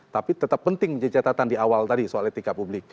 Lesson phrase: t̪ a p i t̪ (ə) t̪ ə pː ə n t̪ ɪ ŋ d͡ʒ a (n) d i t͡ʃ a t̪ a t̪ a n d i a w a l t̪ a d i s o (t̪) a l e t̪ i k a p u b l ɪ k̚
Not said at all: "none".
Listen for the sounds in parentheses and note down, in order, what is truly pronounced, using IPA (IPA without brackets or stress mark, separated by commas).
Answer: ə, none, none